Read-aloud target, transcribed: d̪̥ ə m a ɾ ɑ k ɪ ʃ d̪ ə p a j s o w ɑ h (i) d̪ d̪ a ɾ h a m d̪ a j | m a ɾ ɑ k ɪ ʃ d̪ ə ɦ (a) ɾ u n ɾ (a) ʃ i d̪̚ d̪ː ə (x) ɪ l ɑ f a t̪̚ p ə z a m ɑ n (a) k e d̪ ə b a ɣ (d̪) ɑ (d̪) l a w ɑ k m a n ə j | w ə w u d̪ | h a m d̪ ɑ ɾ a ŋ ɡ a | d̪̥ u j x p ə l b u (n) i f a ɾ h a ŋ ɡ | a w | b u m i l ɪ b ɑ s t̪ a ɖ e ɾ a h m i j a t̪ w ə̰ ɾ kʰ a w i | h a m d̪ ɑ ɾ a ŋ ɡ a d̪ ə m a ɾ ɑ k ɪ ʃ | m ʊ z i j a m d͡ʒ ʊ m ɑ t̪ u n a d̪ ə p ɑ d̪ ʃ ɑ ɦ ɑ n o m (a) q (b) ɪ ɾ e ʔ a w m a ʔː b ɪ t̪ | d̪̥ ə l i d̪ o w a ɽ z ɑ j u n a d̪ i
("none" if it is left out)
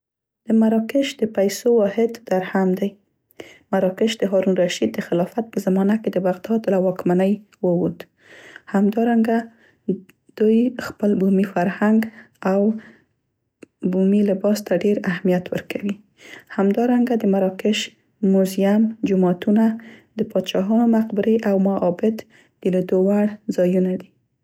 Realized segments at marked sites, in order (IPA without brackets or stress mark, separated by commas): ɪ, ɑ, a, x, a, d̪, d̪, m, a, b